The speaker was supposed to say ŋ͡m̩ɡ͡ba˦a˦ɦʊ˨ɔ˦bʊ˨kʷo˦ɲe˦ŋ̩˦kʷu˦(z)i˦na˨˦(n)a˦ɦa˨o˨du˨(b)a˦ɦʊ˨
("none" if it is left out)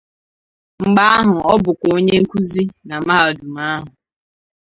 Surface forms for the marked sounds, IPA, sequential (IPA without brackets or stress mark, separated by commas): z, m, m